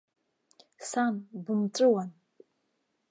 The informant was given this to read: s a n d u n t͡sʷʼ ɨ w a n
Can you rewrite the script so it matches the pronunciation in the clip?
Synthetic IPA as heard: s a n b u m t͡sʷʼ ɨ w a n